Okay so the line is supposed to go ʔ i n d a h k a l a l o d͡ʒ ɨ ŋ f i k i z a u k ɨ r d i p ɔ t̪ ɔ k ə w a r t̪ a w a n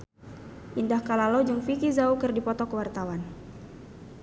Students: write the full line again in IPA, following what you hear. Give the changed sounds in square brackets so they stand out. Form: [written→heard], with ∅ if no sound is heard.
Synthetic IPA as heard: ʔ i n d a h k a l a l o d͡ʒ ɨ ŋ f i k i z a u k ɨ r d i p ɔ t̪ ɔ k ə w a r t̪ a w a n